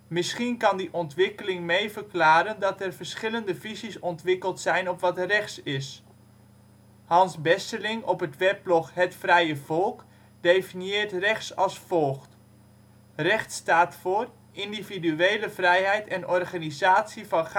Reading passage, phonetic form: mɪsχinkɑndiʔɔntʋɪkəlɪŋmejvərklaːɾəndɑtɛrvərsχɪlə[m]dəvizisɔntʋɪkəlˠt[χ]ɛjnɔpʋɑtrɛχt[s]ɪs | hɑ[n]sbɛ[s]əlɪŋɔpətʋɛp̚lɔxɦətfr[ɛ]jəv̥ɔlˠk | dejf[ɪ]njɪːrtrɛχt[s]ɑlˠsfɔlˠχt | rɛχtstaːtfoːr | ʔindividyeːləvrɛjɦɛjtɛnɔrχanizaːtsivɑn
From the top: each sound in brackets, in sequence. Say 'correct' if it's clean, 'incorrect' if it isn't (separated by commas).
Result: incorrect, incorrect, correct, correct, correct, correct, incorrect, correct